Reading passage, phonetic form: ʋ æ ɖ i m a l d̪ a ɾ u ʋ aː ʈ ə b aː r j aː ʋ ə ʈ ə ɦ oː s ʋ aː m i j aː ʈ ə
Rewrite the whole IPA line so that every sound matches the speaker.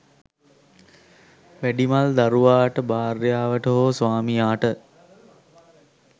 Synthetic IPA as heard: ʋ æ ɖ i m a l d̪ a ɾ u ʋ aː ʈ ə b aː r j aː ʋ ə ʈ ə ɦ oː s ʋ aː m i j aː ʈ ə